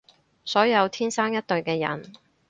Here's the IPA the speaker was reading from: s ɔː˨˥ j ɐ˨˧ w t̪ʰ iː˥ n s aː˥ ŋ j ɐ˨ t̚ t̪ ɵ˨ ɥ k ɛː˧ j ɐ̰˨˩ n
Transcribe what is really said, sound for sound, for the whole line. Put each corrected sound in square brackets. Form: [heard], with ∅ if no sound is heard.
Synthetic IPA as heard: s ɔː˨˥ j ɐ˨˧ w t̪ʰ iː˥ n s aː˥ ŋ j [ɐ˥] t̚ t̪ ɵ˨ ɥ k ɛː˧ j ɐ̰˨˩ n